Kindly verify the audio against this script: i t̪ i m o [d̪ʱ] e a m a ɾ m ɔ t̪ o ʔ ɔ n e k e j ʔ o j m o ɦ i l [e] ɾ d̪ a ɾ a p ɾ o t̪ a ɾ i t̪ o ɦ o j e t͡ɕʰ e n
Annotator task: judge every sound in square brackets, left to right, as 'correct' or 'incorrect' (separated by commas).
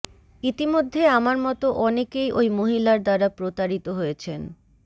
incorrect, incorrect